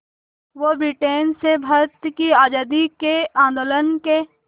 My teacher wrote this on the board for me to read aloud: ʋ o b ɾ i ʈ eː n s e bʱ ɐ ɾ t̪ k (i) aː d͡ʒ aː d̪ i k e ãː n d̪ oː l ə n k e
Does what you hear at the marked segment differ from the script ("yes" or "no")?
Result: no